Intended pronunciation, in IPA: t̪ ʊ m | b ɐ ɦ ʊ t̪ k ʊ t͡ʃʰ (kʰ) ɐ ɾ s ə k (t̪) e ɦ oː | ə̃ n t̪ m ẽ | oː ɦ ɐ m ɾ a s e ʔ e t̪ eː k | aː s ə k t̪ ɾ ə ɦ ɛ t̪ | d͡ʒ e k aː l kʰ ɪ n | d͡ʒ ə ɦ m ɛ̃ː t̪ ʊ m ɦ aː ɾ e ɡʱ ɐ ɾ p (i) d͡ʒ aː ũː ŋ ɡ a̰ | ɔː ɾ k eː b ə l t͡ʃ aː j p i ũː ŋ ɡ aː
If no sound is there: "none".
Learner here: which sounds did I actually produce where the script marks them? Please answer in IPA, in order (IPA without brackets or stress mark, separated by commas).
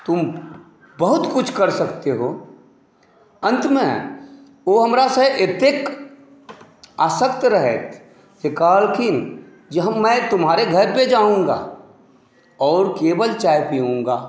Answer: k, t̪, e